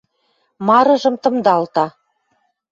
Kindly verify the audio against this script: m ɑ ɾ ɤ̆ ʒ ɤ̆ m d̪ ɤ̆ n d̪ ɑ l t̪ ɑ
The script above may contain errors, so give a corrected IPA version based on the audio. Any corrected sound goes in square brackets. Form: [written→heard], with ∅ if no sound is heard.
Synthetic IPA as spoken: m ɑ ɾ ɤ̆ ʒ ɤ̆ m [d̪→t̪] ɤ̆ [n→m] d̪ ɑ l t̪ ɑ